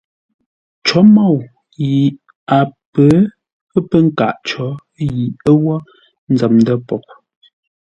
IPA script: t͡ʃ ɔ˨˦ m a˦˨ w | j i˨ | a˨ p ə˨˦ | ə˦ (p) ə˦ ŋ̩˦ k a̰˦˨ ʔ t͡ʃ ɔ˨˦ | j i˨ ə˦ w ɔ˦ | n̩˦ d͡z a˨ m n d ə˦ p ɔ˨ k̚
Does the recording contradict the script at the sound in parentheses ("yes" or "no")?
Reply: no